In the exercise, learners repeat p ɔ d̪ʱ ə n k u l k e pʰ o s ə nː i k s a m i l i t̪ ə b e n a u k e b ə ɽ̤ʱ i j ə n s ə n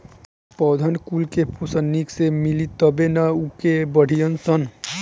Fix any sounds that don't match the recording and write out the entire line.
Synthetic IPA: p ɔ d̪ʱ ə n k u l k e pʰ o s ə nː i k s e m i l i t̪ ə b e n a u k e b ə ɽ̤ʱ i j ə n s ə n

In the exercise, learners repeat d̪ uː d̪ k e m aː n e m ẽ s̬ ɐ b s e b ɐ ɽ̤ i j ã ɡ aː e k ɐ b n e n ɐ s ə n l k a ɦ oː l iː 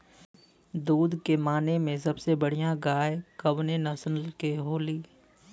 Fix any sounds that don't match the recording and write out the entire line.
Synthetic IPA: d̪ uː d̪ k e m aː n e m ẽ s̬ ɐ b s e b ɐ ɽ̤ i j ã ɡ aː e k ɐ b n e n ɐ s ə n l k e ɦ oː l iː

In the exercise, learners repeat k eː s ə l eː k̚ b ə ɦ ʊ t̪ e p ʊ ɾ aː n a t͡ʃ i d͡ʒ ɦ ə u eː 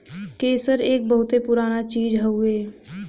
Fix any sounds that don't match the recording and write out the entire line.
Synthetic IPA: k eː s ə ɾ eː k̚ b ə ɦ ʊ t̪ e p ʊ ɾ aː n a t͡ʃ iː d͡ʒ ɦ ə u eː

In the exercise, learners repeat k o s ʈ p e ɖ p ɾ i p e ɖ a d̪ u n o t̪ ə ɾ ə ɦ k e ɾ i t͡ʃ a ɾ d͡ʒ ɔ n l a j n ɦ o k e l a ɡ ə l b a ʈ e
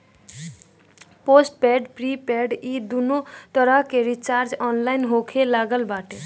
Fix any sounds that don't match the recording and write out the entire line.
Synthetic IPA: p o s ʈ p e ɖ p ɾ i p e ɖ i d̪ u n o t̪ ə ɾ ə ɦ k e ɾ i t͡ʃ a ɾ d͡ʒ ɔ n l a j n ɦ o kʰ e l a ɡ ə l b a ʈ e

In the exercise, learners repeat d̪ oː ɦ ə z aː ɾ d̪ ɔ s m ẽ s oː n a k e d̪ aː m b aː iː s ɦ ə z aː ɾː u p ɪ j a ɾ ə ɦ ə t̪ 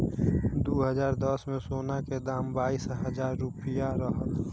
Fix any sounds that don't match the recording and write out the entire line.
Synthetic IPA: d̪ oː ɦ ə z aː ɾ d̪ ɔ s m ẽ s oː n a k e d̪ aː m b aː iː s ɦ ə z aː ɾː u p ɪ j a ɾ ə ɦ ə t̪

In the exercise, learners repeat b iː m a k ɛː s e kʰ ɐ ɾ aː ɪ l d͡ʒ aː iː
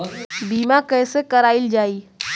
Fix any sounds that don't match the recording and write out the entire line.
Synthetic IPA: b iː m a k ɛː s e k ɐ ɾ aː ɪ l d͡ʒ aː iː

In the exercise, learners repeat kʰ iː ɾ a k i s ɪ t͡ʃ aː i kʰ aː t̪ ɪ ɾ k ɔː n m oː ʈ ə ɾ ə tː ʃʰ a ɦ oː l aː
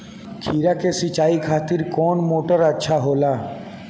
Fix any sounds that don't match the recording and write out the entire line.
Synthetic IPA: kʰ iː ɾ a k e s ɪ t͡ʃ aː i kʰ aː t̪ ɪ ɾ k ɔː n m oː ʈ ə ɾ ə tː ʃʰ a ɦ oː l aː

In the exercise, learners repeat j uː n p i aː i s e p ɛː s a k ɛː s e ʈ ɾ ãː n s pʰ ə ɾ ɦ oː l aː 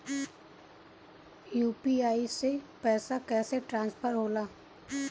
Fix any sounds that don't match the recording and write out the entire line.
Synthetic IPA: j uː p i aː i s e p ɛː s a k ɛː s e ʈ ɾ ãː n s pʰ ə ɾ ɦ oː l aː

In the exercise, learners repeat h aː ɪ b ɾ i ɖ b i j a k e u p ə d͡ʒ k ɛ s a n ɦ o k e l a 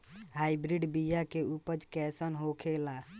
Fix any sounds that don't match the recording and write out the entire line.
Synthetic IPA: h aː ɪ b ɾ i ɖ b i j a k e u p ə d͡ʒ k ɛ s ə n ɦ o kʰ e l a

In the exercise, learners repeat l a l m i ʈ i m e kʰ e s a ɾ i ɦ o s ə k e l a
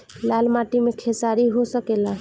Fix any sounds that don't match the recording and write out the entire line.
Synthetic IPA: l a l m a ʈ i m e kʰ e s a ɾ i ɦ o s ə k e l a

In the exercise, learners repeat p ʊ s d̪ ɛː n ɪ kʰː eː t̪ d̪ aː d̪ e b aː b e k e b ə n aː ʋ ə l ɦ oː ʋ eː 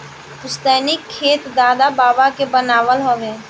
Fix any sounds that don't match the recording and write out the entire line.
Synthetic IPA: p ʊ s t̪ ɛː n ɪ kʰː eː t̪ d̪ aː d̪ a b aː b a k e b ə n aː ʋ ə l ɦ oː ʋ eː

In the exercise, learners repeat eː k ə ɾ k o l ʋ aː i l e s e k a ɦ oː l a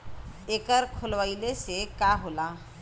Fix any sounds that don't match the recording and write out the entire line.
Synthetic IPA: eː k ə ɾ kʰ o l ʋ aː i l e s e k a ɦ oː l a

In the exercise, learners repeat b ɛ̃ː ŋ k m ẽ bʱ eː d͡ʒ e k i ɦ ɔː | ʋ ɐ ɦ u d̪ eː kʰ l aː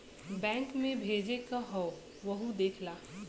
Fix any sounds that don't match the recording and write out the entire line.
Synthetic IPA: b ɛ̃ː ŋ k m ẽ bʱ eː d͡ʒ e k a ɦ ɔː | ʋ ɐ ɦ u d̪ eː kʰ l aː

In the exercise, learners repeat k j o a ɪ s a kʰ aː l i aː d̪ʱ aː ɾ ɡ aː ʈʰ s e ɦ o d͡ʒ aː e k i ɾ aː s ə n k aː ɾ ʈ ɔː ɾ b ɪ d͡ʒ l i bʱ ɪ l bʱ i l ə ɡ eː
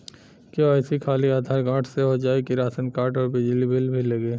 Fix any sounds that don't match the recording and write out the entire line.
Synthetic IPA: k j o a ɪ s i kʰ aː l i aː d̪ʱ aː ɾ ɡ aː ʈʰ s e ɦ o d͡ʒ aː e k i ɾ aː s ə n k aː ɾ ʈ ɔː ɾ b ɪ d͡ʒ l i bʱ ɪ l bʱ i l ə ɡ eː

